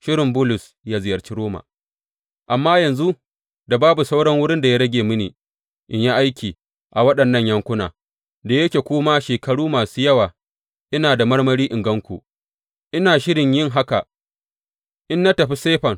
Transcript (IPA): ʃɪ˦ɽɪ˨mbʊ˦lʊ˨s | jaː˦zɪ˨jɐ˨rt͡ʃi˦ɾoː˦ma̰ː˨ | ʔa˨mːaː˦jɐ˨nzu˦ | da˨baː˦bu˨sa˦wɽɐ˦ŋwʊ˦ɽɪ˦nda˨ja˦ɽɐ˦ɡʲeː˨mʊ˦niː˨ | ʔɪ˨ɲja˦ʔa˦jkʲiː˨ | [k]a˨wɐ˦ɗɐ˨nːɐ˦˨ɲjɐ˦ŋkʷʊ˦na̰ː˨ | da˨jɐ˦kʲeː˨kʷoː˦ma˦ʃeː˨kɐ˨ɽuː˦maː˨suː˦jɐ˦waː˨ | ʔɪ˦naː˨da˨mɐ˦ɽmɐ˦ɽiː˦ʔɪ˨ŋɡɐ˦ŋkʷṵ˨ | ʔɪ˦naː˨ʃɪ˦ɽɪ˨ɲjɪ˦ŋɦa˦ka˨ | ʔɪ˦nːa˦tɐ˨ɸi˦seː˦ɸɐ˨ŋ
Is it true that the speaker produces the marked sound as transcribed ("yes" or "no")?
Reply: no